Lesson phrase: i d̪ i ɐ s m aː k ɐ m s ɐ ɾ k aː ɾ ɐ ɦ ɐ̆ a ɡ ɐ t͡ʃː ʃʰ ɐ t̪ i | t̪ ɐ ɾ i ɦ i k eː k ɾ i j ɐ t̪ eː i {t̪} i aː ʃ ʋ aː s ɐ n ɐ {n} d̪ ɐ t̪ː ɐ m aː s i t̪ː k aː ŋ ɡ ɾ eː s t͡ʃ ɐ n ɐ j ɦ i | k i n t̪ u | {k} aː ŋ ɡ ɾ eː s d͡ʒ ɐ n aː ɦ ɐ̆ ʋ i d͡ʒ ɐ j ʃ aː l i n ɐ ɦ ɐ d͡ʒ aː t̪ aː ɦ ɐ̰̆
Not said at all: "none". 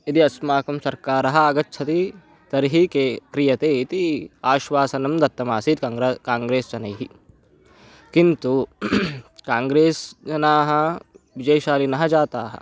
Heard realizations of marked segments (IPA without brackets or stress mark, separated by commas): t̪, m, k